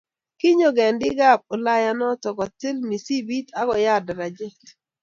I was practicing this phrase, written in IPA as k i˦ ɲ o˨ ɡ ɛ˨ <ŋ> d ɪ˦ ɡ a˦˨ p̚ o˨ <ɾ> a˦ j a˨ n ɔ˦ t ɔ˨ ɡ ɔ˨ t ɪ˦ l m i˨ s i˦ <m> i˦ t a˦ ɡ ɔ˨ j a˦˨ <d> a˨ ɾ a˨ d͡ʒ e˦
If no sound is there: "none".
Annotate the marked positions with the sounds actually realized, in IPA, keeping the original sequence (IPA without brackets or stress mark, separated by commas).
n, l, b, d